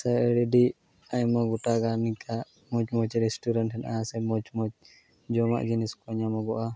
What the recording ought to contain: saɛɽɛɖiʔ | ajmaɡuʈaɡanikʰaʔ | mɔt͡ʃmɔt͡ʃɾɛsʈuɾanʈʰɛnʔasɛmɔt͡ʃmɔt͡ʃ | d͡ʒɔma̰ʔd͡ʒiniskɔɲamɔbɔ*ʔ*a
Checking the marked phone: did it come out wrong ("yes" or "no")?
no